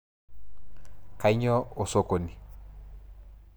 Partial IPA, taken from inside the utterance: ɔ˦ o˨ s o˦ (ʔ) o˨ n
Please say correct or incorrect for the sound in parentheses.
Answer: incorrect